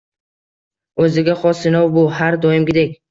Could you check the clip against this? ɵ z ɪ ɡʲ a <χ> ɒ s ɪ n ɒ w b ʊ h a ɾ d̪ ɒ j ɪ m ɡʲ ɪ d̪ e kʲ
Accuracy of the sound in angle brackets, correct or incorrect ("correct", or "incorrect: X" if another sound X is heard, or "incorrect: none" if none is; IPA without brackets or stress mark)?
correct